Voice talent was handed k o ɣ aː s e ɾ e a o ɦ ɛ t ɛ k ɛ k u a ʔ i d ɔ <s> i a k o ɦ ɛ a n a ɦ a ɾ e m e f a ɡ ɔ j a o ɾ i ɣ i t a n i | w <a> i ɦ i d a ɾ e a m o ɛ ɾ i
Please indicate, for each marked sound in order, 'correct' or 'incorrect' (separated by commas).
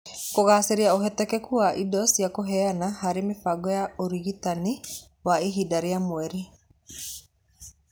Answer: correct, correct